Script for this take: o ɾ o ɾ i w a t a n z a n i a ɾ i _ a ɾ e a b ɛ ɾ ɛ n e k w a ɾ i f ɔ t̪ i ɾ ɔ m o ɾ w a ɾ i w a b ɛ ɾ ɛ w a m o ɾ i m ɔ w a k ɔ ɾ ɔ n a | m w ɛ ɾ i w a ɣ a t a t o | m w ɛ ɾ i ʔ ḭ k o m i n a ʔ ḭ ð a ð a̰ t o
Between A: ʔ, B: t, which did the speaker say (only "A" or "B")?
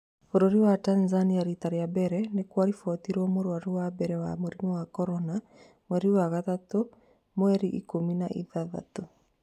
B